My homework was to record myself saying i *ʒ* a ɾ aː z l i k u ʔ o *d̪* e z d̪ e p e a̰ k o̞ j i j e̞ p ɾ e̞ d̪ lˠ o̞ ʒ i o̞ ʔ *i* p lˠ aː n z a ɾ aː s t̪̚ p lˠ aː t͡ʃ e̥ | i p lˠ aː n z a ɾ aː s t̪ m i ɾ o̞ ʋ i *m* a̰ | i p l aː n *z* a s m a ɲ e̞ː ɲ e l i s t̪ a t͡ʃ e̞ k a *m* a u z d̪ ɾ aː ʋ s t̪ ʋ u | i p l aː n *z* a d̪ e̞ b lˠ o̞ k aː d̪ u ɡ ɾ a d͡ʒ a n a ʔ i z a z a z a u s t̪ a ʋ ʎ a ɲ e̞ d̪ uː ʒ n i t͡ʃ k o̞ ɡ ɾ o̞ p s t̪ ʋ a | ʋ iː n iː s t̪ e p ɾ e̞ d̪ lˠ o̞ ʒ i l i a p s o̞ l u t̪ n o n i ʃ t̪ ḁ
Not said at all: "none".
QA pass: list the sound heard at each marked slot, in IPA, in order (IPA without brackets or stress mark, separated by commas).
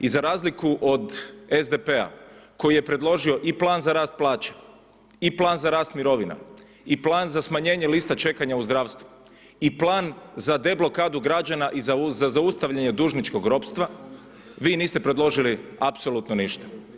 z, d̪, i, n, z, ɲ, z